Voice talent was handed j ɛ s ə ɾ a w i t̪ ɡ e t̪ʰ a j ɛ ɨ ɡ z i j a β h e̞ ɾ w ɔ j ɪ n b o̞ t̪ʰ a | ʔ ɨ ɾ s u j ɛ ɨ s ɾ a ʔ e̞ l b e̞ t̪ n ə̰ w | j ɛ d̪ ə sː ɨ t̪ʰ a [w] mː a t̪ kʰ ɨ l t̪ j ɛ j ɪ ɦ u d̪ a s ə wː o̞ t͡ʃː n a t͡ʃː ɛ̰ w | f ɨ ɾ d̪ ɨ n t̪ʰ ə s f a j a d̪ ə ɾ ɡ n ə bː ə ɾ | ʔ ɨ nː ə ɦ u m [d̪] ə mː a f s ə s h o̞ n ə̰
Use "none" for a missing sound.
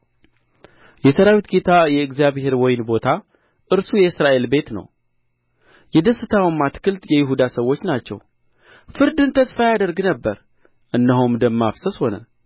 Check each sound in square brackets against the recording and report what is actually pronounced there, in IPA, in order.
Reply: w, d̪

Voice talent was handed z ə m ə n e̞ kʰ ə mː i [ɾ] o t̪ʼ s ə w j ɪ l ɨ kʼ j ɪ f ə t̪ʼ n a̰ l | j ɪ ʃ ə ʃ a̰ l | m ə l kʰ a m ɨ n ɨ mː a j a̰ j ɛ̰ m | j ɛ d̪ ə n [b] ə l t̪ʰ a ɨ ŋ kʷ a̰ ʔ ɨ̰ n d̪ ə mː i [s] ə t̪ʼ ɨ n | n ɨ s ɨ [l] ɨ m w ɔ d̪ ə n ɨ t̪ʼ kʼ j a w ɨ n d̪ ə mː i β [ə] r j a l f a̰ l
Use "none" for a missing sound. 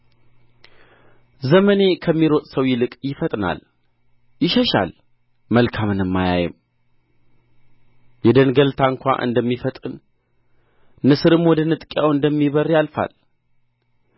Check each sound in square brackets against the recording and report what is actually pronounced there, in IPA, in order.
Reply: ɾ, ɡ, f, ɾ, ə

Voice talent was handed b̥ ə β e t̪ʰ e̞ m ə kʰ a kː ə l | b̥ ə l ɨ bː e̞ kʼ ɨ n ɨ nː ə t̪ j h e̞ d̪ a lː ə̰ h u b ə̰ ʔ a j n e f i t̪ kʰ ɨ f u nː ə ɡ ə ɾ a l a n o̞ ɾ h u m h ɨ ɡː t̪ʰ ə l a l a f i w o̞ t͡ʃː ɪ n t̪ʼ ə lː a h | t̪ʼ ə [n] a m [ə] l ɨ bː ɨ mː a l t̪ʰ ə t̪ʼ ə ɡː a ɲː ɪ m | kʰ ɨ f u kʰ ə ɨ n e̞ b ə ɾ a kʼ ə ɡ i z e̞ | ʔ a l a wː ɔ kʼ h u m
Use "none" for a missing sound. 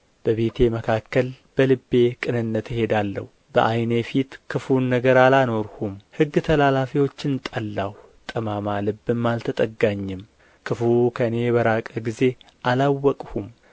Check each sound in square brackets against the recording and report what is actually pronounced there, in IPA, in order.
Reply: m, a

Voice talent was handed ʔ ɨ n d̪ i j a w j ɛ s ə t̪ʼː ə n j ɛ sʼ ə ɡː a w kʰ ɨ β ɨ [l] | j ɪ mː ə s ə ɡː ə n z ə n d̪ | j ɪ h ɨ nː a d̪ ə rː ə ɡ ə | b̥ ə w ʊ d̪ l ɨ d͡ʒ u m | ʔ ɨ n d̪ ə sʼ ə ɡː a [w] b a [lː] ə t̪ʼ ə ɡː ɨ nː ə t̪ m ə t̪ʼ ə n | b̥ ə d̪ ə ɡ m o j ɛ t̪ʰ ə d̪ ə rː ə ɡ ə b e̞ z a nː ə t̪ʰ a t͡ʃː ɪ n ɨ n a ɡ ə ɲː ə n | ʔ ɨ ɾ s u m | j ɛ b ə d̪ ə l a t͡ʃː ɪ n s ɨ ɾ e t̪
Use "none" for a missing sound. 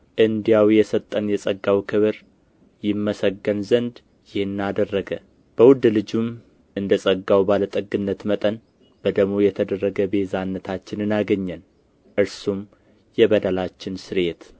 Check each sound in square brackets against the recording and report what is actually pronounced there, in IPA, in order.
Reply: ɾ, w, l

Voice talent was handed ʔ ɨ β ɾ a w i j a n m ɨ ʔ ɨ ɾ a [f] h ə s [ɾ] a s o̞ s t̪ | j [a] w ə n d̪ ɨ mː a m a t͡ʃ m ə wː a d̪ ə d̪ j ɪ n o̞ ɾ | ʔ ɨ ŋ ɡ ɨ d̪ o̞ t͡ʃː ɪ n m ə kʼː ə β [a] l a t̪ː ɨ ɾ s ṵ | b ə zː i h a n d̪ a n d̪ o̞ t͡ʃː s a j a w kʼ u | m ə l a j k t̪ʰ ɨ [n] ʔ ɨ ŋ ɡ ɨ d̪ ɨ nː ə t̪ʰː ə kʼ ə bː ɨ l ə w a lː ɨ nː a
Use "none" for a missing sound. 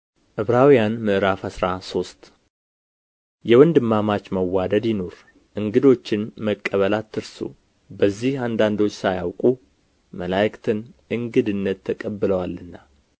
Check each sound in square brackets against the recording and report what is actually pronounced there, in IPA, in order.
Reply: f, ɾ, ɛ, ə, n

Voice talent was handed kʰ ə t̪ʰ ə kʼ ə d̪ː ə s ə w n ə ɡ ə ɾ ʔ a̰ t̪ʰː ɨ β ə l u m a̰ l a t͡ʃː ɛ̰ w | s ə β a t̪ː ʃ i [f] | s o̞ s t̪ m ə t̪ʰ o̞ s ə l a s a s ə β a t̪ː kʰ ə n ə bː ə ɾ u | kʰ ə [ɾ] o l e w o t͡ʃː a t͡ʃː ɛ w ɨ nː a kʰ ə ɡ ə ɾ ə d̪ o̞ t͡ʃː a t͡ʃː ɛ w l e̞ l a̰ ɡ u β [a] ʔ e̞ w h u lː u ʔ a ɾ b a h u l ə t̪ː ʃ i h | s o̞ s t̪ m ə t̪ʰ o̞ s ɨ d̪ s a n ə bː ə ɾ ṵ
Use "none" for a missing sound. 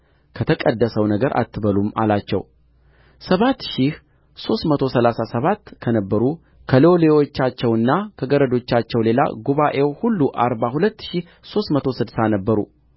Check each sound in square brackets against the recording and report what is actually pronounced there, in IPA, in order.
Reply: h, l, a

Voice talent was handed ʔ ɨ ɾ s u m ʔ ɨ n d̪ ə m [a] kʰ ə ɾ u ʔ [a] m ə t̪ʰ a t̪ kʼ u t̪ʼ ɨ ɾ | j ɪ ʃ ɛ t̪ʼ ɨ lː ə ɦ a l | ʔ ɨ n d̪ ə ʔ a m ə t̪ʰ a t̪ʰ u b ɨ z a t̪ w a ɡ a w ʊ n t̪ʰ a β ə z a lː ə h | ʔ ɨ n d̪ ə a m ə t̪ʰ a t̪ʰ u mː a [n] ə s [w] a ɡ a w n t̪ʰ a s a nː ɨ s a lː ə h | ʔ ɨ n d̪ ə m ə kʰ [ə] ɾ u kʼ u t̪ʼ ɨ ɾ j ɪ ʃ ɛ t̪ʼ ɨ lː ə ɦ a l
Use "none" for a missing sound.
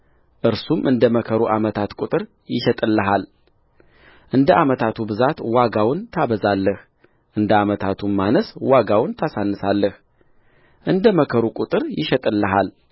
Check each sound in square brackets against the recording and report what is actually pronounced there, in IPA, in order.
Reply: ə, a, n, w, ə

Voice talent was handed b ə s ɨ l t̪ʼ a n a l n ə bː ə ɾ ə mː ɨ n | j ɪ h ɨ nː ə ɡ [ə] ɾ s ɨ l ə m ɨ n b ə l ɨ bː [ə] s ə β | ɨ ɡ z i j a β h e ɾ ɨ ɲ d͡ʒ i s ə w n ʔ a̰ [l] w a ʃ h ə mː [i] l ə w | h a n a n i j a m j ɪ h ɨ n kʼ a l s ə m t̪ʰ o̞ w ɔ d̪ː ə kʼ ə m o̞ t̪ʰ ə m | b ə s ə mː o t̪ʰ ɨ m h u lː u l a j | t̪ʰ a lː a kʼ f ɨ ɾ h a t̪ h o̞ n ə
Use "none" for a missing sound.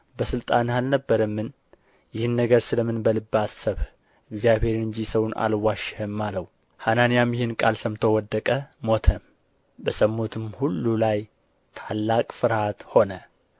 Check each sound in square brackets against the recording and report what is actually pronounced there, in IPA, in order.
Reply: ə, a, l, a

